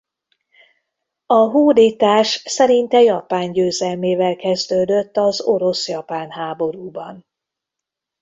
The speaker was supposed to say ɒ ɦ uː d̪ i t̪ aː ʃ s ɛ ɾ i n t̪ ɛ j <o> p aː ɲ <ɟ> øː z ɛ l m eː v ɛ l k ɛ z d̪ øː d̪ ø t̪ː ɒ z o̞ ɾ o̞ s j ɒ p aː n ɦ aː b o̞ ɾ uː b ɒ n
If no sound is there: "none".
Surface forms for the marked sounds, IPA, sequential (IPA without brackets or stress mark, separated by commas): ɒ, ɟ